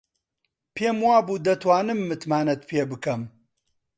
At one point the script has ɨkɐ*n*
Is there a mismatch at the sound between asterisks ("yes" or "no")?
yes